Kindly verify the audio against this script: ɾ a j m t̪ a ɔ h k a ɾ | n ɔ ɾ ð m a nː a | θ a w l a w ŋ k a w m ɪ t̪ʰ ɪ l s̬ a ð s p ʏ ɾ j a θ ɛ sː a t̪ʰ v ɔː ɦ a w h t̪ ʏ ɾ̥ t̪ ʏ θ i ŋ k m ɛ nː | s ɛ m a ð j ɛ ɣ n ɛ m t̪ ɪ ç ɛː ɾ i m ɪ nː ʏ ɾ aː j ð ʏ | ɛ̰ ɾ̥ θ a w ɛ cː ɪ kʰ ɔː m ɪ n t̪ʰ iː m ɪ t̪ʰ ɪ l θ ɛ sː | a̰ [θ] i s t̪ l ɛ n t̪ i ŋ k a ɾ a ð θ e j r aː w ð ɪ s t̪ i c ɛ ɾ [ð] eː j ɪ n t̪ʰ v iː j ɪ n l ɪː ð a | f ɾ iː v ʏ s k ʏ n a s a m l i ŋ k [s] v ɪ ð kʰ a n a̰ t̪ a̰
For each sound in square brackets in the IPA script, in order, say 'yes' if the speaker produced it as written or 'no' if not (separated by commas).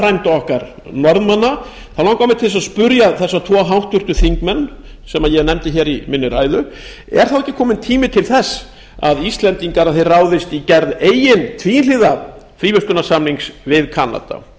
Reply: no, yes, yes